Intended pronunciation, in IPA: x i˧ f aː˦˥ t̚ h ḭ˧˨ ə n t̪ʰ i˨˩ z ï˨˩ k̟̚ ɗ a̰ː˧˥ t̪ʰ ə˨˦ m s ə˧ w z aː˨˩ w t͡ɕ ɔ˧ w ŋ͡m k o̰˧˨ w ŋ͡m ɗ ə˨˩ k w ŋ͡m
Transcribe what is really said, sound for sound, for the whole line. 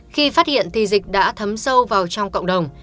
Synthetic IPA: x i˧ f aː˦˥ t̚ h ḭ˧˨ ə n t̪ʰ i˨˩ z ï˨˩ k̟̚ ɗ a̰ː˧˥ t̪ʰ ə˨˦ m s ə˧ w v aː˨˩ w t͡ɕ ɔ˧ w ŋ͡m k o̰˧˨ w ŋ͡m ɗ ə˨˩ w ŋ͡m